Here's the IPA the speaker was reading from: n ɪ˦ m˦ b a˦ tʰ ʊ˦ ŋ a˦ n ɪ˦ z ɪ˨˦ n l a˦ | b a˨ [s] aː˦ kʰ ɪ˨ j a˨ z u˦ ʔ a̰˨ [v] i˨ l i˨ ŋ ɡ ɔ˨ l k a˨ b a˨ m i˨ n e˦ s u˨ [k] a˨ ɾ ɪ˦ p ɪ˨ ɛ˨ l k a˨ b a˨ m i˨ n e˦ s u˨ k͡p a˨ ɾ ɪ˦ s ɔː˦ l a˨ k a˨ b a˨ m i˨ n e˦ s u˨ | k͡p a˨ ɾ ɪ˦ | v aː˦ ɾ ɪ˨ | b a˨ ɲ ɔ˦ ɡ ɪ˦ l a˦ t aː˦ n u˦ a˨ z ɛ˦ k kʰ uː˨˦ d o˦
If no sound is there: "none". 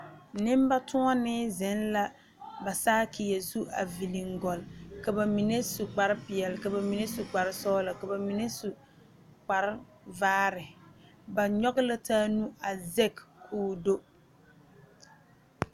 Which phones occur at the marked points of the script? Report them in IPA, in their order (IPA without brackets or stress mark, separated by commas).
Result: s, v, k͡p